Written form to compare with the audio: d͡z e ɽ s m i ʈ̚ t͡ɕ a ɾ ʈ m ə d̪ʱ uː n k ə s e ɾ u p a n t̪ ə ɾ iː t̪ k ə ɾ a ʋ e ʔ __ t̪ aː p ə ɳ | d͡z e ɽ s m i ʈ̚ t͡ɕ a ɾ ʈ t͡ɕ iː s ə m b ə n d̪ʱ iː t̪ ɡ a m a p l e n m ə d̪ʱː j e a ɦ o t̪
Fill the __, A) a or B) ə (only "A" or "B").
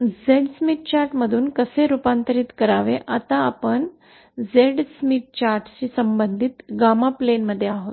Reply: A